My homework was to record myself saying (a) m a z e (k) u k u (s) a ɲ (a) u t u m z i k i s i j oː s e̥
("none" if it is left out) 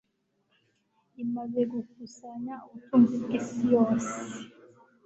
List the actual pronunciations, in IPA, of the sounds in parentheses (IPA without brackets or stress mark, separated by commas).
i, ɡ, s, a